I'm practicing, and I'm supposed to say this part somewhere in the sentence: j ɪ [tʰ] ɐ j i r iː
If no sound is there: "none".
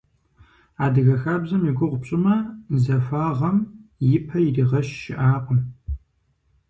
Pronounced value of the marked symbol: pʰ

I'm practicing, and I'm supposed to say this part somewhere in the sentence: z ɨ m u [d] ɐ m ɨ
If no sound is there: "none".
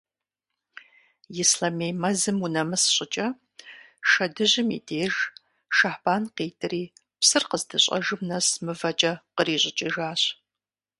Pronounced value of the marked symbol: n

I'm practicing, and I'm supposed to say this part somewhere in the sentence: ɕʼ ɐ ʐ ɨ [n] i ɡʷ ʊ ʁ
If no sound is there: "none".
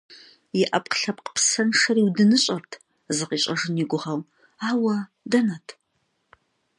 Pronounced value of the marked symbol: n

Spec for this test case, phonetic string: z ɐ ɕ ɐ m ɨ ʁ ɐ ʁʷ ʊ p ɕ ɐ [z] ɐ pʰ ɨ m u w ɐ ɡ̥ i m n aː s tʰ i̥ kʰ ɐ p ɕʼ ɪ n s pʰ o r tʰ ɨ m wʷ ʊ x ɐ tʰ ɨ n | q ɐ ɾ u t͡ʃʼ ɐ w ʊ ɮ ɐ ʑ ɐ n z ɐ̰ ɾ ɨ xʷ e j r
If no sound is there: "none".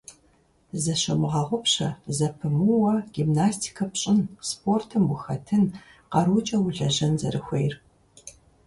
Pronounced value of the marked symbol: z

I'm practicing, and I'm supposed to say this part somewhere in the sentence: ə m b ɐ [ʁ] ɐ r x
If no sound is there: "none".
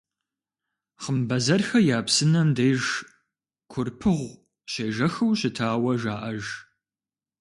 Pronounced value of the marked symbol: z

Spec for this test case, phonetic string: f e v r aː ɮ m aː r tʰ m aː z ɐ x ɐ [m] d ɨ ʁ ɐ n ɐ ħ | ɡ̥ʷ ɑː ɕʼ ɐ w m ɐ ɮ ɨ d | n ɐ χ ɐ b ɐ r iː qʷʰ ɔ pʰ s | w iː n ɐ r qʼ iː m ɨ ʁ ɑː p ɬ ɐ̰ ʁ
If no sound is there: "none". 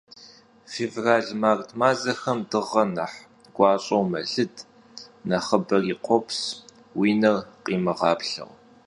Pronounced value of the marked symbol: m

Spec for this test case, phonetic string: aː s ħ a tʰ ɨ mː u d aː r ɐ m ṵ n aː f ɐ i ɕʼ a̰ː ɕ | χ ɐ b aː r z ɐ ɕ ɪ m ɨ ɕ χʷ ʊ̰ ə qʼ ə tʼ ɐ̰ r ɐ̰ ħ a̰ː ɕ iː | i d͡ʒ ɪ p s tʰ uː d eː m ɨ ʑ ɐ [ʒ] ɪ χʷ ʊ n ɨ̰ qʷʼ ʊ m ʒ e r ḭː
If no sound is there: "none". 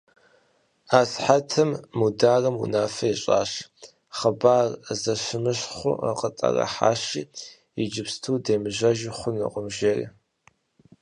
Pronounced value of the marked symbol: ʒ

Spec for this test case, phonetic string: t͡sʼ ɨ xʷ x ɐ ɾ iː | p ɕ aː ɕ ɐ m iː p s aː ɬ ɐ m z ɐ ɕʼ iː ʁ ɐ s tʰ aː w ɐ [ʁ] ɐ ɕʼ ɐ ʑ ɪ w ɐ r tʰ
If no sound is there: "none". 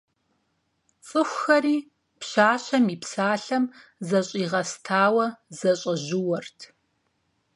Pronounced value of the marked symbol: z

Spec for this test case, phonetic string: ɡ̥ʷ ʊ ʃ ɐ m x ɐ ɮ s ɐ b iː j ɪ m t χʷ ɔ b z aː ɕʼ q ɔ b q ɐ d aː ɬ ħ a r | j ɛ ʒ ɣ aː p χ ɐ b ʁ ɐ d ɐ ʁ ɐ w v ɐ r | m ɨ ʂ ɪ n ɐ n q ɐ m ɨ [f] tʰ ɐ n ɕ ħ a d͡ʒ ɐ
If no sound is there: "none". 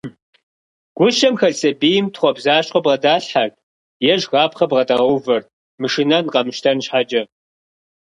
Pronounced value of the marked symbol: ʃ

